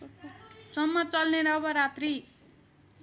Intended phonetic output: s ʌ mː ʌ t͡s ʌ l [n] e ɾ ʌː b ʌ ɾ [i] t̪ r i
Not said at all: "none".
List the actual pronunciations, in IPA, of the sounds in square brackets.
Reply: n, a

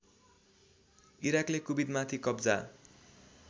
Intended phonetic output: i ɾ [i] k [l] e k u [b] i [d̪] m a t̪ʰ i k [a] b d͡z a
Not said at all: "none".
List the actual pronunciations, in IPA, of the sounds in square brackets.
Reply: a, l, b, d̪, ʌ

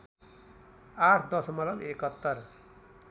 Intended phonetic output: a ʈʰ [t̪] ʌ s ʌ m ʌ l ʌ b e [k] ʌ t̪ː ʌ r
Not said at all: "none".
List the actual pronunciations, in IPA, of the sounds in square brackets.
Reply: d̪, k

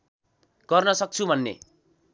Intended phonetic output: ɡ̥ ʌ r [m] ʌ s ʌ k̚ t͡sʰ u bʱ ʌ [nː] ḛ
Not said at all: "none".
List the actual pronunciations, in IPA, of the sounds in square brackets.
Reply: n, nː

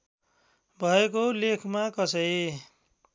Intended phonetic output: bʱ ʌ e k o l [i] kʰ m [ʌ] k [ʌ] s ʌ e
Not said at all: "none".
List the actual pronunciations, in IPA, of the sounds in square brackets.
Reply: e, a, ʌ

